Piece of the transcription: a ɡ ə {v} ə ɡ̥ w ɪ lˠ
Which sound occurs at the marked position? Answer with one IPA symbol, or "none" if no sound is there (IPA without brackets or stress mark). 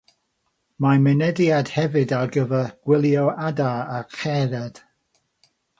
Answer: v